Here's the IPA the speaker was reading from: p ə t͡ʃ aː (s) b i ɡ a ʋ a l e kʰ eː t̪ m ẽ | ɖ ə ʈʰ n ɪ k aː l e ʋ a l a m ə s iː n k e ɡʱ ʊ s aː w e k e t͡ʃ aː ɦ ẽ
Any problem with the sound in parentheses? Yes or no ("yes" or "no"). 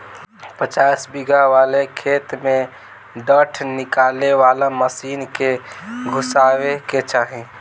no